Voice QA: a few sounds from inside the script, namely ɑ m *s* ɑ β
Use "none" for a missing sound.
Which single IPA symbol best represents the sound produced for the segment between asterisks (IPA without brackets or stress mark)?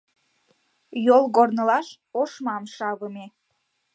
ʃ